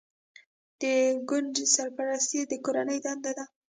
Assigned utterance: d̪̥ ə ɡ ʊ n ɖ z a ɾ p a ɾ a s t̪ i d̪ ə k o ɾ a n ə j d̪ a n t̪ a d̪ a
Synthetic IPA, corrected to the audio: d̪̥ ə ɡ ʊ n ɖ s a ɾ p a ɾ a s t̪ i d̪ ə k o ɾ a n ə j d̪ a n d̪ a d̪ a